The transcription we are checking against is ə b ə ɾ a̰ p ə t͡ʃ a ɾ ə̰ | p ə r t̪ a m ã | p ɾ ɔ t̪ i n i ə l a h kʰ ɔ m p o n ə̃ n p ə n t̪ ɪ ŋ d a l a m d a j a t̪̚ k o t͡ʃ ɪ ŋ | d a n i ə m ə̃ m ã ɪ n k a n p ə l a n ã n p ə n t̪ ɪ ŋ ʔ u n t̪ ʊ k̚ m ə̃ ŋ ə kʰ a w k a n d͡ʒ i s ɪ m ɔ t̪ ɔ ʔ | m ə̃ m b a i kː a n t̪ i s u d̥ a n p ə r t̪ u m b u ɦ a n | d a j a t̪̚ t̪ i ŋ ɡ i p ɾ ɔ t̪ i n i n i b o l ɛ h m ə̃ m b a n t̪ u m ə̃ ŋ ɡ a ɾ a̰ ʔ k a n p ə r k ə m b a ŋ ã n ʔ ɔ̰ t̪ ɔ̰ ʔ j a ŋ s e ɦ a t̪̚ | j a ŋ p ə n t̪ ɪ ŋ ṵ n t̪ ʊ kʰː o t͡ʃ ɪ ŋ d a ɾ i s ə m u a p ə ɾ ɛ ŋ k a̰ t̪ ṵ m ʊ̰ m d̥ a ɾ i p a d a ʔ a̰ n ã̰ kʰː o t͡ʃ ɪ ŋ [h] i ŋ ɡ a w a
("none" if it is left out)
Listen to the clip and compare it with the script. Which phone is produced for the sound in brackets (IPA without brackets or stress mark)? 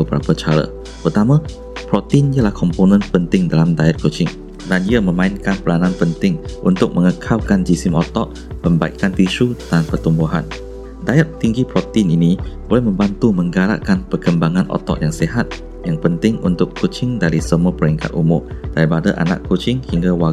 h